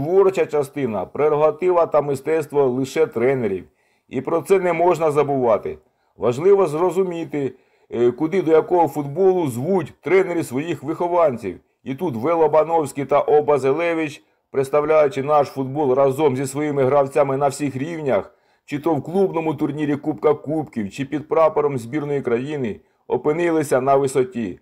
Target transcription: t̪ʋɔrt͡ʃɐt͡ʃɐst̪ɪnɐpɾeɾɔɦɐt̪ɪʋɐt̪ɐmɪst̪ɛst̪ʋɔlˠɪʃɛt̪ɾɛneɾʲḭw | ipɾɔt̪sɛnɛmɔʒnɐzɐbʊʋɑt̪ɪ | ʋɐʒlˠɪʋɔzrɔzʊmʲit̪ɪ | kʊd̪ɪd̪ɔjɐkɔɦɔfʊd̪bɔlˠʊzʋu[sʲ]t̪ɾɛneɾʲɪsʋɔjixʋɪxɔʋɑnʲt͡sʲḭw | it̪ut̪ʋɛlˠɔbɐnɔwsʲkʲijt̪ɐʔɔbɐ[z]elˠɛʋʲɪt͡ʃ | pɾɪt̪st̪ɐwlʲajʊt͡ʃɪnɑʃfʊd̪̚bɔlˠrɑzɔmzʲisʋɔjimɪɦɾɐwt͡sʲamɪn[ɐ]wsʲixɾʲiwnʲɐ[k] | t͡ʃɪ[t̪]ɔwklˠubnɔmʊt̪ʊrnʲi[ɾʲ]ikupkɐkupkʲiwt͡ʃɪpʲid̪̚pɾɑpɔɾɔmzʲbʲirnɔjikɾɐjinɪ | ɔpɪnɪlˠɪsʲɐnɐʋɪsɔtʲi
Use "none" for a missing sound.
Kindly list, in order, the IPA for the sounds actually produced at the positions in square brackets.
tʲ, z, ɐ, x, t̪, ɾʲ

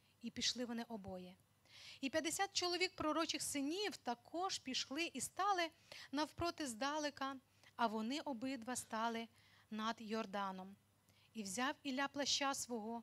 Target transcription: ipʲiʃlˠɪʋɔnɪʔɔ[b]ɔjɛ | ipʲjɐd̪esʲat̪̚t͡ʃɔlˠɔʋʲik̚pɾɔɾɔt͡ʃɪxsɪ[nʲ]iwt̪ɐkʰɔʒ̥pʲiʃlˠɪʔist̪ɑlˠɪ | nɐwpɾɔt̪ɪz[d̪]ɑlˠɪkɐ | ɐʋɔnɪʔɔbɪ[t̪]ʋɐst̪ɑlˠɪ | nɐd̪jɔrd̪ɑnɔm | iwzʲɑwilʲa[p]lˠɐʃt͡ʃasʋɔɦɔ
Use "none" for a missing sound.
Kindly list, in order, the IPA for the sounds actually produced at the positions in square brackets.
b, nʲ, d̪, d̪, p

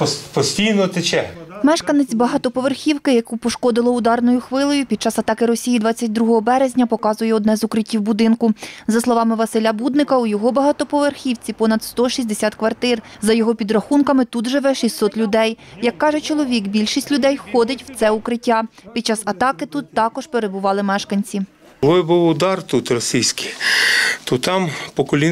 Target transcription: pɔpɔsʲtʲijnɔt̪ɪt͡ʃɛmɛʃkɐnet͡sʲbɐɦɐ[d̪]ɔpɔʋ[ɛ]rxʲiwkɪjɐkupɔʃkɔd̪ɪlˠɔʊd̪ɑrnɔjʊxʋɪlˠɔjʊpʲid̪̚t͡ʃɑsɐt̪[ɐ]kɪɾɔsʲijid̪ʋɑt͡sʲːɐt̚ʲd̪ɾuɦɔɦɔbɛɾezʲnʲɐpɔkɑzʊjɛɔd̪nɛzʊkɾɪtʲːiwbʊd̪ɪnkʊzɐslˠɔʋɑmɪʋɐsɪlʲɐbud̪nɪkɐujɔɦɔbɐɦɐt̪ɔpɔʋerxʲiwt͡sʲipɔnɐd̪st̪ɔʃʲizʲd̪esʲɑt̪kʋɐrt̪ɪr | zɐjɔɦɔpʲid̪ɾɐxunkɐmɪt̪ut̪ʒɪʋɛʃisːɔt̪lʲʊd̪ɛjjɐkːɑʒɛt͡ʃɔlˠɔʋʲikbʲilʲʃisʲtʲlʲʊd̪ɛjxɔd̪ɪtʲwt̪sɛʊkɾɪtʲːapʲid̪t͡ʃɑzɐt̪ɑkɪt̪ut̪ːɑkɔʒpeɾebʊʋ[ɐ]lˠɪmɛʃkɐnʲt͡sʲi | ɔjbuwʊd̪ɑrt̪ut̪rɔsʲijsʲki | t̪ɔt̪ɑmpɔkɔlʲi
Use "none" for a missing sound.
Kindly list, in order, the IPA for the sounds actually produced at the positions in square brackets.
t̪, e, ɑ, ɑ

